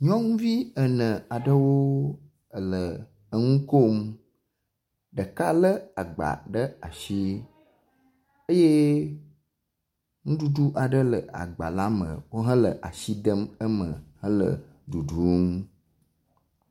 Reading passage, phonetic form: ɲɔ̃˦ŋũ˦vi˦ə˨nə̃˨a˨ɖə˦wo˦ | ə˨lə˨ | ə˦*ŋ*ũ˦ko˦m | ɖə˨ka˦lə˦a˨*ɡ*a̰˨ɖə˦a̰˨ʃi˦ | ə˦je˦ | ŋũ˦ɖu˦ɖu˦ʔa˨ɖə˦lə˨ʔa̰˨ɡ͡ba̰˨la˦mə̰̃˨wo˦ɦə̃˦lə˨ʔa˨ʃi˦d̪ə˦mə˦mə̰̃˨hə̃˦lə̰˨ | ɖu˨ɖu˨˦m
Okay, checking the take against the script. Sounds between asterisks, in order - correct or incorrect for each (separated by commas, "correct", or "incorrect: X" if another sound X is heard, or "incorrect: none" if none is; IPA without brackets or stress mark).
correct, incorrect: ɡ͡b